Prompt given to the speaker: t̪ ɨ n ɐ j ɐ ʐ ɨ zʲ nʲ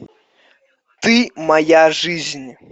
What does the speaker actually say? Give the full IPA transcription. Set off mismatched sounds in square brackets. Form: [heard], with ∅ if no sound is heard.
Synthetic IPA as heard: t̪ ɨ [m] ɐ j [a] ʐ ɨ zʲ nʲ